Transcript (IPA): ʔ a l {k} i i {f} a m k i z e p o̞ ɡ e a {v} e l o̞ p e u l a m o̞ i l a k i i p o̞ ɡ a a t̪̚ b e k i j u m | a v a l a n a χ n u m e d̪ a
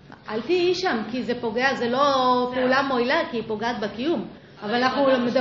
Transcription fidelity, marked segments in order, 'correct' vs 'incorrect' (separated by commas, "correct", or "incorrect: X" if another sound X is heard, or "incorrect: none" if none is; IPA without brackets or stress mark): incorrect: t, incorrect: ʃ, incorrect: z